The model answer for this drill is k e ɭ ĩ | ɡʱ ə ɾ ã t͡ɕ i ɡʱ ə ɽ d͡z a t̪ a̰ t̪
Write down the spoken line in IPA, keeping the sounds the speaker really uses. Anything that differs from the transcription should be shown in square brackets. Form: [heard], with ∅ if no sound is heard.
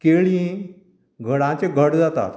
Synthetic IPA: k e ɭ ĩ | ɡʱ ə [ɽ] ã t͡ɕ [e] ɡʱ ə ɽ d͡z a t̪ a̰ t̪